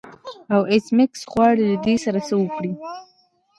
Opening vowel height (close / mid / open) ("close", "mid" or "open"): open